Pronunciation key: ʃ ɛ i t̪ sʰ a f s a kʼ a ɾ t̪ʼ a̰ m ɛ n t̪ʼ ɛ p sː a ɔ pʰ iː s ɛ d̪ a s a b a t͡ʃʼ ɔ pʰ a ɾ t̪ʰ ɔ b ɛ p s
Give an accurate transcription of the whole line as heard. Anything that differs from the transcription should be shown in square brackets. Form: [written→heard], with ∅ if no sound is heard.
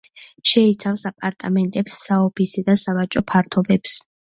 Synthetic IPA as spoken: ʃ ɛ i t̪ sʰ a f s a [kʼ→pʼ] a ɾ t̪ʼ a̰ m ɛ n t̪ʼ ɛ p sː a ɔ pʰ [iː→i] s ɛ d̪ a s a [b→v] a t͡ʃʼ ɔ pʰ a ɾ t̪ʰ ɔ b ɛ p s